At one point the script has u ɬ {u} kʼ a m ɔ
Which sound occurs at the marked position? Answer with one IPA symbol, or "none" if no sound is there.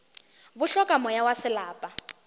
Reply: ɔ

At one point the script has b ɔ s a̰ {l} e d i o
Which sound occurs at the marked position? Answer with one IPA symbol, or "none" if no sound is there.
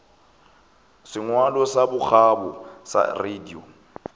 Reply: r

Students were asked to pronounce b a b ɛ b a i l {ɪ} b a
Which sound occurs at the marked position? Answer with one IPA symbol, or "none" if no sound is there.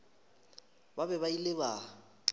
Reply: ɪ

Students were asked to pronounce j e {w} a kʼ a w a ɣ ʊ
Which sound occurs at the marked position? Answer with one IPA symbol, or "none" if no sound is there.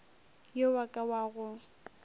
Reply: w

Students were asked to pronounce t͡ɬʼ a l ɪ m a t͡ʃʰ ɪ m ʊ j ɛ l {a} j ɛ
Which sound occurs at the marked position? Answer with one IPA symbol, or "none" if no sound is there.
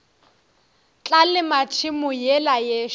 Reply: a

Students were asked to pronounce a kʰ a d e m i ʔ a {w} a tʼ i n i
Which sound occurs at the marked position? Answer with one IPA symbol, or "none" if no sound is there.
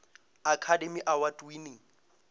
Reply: w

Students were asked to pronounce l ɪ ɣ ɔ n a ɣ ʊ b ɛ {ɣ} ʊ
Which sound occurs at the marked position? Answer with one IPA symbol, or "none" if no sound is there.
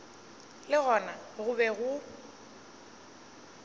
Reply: ɣ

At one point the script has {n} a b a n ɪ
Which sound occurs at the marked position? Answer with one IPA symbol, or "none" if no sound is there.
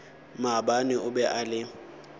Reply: m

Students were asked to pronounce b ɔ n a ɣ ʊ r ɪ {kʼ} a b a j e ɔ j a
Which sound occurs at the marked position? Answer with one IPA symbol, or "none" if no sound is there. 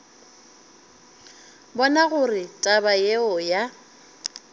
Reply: tʼ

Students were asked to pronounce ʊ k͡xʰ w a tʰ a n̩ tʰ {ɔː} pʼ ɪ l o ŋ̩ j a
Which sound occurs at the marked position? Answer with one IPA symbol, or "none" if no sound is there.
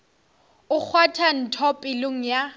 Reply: ɔ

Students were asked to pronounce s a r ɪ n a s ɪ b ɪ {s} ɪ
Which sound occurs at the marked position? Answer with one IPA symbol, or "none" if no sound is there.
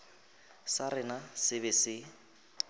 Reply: s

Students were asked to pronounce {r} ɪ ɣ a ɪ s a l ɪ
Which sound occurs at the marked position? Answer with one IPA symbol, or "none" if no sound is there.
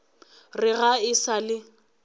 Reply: r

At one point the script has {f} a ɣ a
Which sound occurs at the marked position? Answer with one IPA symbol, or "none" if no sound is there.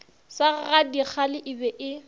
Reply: s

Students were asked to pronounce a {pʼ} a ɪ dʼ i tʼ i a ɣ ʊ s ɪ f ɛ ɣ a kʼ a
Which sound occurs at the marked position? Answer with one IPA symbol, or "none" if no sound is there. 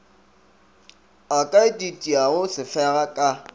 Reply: kʼ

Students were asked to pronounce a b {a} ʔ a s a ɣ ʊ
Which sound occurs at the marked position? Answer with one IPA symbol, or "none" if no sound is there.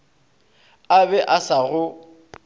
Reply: ɛ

